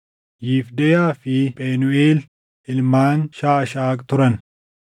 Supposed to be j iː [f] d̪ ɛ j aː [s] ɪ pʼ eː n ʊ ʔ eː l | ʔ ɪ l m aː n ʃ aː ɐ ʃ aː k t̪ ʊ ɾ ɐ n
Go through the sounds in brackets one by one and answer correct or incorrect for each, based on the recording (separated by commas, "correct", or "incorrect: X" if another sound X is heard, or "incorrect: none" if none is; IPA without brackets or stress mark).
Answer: correct, incorrect: f